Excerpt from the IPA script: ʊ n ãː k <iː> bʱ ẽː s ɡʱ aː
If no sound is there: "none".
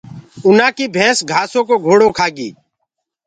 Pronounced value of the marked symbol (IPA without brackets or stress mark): iː